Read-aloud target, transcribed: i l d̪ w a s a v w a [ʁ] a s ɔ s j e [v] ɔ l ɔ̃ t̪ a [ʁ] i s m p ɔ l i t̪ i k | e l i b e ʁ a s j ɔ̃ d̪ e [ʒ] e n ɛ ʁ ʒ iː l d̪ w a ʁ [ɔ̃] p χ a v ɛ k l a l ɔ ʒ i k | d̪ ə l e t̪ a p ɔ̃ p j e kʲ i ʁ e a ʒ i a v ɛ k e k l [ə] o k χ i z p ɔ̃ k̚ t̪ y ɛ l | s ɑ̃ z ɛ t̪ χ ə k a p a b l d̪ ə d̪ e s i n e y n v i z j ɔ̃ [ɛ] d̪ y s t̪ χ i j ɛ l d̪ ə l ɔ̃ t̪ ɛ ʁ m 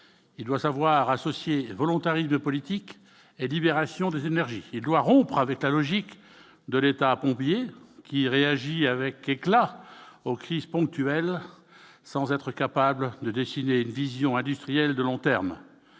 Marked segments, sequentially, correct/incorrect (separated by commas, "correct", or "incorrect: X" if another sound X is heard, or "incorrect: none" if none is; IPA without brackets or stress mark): correct, correct, correct, incorrect: z, correct, incorrect: a, incorrect: ɛ̃